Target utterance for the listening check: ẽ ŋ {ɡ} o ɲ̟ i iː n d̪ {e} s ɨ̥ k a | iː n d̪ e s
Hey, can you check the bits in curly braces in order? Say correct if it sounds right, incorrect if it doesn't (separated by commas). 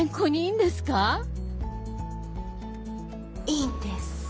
incorrect, correct